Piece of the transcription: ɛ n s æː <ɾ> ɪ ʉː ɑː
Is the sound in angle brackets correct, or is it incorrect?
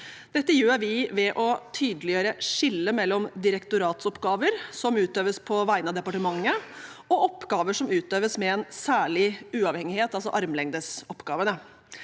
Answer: incorrect